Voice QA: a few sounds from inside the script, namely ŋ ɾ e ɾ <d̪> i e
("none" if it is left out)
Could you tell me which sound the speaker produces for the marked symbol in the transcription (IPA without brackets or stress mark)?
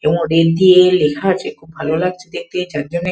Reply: d̪